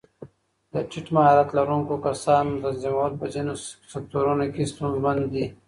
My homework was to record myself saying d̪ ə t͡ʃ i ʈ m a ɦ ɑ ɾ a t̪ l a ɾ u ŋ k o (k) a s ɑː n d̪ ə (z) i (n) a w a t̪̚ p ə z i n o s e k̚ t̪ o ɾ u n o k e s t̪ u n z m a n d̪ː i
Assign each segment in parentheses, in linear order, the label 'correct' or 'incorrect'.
correct, correct, incorrect: m

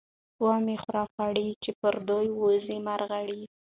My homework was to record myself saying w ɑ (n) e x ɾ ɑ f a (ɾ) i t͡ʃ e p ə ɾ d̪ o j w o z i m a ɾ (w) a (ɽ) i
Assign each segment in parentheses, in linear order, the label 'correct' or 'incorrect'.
incorrect: m, incorrect: ɽ, incorrect: ɣ, correct

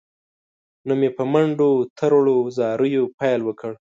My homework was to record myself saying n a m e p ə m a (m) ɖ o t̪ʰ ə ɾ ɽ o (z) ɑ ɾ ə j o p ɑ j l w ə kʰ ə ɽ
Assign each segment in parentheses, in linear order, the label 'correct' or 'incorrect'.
incorrect: ɳ, correct

